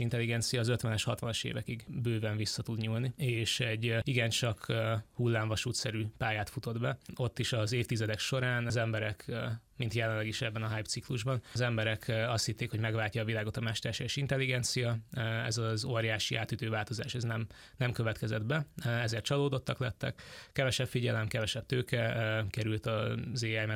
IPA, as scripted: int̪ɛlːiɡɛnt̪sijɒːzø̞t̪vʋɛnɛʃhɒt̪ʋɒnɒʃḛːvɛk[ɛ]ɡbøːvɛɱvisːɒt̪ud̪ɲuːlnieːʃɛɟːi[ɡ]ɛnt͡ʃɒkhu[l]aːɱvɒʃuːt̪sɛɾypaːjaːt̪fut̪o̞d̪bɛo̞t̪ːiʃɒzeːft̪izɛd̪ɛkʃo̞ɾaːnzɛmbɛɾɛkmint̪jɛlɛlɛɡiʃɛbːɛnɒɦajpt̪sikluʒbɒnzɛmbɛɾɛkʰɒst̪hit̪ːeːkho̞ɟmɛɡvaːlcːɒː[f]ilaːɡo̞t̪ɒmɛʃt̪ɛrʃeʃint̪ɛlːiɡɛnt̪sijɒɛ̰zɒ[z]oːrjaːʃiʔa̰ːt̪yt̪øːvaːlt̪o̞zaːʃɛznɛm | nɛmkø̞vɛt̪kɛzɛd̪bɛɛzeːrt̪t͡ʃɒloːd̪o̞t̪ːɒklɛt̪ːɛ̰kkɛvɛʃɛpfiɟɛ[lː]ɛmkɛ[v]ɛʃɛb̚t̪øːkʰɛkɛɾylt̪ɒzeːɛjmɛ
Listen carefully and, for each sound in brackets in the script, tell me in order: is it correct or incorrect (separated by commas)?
incorrect, correct, incorrect, incorrect, correct, incorrect, correct